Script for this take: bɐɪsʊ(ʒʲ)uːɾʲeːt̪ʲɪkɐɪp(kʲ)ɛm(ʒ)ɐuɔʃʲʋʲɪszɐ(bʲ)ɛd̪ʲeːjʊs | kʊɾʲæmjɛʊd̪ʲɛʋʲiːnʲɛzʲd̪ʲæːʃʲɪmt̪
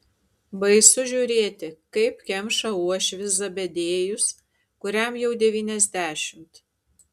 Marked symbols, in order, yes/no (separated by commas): yes, yes, no, yes